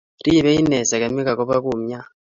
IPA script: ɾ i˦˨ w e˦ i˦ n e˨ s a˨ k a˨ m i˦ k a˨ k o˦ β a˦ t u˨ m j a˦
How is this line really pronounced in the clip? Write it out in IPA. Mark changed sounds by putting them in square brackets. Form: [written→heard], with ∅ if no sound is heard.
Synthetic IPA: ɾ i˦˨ [w→β] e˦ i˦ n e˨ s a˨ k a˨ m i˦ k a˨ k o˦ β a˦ [t→k] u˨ m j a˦